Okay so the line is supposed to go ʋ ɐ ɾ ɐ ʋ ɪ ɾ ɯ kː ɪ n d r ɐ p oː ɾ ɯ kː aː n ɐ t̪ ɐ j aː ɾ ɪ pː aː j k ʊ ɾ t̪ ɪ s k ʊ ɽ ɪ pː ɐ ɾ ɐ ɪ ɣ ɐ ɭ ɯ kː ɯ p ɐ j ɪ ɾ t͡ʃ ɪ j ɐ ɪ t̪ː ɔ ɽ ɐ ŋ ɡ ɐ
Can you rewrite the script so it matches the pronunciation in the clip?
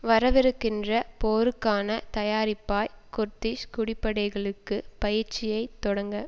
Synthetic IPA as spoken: ʋ ɐ ɾ ɐ ʋ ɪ ɾ ɯ kː ɪ n d r ɐ p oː ɾ ɯ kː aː n ɐ t̪ ɐ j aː ɾ ɪ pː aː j k ʊ ɾ t̪ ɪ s k ʊ ɽ ɪ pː ɐ ɽ ɐ ɪ ɣ ɐ ɭ ɯ kː ɯ p ɐ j ɪ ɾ t͡ʃ ɪ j ɐ ɪ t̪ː ɔ ɽ ɐ ŋ ɡ ɐ